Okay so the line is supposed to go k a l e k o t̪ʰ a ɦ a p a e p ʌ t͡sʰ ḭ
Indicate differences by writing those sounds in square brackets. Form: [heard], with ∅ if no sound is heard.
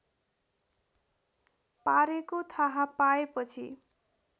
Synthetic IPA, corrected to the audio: [p] a [ɾ] e k o t̪ʰ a ɦ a p a e p ʌ t͡sʰ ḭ